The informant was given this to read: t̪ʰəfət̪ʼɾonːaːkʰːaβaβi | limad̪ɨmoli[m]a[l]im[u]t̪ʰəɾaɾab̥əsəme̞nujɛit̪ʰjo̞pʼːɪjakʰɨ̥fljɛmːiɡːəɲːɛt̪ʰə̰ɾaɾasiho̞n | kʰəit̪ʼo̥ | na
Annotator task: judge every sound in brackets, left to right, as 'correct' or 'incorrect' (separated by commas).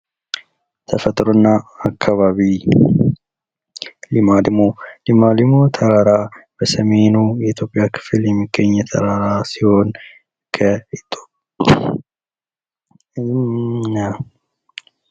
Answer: correct, correct, incorrect